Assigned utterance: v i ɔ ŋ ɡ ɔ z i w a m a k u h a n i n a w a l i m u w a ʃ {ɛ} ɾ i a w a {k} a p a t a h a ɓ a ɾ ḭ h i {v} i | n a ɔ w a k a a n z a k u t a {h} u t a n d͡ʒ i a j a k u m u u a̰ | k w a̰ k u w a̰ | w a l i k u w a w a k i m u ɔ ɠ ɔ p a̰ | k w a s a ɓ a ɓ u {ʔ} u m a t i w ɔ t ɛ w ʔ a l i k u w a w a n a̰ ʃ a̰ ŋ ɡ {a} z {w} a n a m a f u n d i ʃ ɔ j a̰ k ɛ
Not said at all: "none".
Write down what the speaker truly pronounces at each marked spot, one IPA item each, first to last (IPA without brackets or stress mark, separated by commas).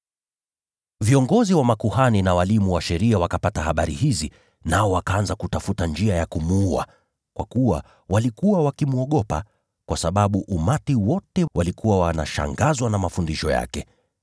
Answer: ɛ, k, z, f, ʔ, a, w